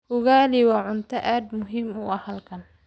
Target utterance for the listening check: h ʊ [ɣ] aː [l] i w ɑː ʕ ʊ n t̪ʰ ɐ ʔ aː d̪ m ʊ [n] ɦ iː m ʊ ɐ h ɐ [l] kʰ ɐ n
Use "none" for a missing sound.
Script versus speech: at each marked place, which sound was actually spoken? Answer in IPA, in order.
ɣ, l, none, l

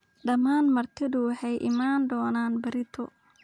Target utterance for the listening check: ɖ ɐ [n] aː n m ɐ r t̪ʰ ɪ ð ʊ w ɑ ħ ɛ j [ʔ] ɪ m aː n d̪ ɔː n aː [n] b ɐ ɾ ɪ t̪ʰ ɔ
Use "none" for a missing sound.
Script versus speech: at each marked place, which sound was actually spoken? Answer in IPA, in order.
m, ʔ, n

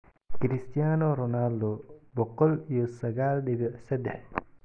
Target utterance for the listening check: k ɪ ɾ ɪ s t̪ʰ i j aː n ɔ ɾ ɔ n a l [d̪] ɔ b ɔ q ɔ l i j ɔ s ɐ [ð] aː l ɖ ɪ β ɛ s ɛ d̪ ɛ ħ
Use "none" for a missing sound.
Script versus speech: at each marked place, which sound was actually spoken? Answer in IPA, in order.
d̪, ɣ

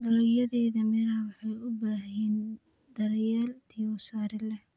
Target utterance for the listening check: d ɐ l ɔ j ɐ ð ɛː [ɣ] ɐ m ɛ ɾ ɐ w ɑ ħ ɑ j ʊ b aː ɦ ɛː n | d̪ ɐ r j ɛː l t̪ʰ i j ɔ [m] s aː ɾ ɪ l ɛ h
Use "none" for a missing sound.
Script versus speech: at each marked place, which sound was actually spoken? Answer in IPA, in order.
ð, none

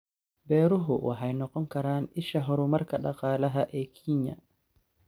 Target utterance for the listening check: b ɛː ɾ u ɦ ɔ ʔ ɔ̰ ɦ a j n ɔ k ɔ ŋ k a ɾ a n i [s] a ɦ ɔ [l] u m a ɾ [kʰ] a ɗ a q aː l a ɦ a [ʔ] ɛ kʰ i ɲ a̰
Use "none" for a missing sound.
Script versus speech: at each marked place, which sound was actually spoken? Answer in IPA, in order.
ʃ, ɾ, k, ʔ

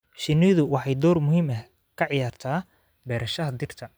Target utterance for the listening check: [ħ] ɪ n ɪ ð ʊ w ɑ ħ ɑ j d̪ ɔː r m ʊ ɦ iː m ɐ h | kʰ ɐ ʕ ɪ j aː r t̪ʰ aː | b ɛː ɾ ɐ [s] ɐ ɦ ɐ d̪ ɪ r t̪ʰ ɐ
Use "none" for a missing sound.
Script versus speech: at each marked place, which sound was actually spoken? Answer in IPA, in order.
ʃ, ʃ

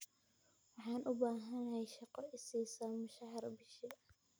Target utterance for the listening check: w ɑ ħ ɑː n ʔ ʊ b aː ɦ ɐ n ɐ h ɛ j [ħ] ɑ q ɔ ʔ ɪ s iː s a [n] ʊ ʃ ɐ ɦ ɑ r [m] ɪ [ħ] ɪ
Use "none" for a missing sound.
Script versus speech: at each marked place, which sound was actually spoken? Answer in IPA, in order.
ʃ, m, b, ʃ

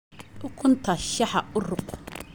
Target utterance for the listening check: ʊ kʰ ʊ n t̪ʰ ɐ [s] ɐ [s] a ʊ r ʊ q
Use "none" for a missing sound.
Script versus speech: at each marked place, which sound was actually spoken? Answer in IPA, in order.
ʃ, ħ

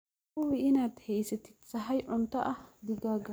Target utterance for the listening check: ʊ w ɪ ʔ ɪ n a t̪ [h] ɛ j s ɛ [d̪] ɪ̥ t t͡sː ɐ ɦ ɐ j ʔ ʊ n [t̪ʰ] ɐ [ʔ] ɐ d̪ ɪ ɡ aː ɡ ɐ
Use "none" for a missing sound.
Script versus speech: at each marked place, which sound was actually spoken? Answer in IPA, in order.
h, t̪, t̪, ʔ

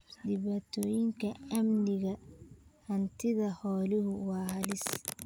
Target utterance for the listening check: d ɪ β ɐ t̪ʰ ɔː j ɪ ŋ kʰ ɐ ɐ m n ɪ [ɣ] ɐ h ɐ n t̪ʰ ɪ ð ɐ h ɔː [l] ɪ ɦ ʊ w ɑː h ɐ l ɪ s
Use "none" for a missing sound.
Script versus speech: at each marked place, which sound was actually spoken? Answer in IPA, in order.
ɣ, l

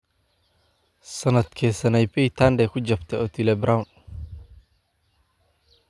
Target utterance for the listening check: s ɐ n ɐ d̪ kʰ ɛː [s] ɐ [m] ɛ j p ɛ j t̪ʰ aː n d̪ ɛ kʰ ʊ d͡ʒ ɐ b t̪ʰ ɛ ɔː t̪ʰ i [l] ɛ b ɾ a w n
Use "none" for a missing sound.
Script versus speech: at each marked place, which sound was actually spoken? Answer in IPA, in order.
s, n, l

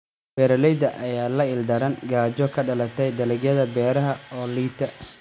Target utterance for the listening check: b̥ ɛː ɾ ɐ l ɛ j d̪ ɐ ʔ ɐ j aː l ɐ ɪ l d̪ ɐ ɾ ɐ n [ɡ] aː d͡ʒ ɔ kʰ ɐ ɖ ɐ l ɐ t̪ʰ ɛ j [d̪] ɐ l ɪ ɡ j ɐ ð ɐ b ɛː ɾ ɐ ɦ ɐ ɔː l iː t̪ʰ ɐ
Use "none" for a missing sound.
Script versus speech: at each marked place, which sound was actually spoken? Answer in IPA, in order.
ɡ, d̪

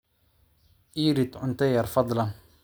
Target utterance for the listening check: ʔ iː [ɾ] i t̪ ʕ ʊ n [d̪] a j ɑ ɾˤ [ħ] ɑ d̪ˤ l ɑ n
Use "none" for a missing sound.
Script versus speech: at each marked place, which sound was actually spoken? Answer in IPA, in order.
ɾ, t̪, f

